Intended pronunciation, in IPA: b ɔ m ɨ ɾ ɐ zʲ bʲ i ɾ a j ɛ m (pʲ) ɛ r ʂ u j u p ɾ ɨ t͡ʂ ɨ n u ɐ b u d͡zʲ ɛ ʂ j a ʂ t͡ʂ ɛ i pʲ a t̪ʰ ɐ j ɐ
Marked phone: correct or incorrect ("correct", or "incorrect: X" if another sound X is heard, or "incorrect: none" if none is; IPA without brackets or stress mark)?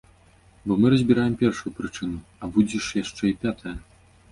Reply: correct